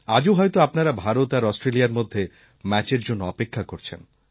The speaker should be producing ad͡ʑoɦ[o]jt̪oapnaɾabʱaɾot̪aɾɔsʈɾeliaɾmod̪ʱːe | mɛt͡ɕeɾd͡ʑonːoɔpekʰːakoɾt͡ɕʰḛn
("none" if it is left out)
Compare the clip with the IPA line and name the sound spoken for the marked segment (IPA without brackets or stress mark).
ɔ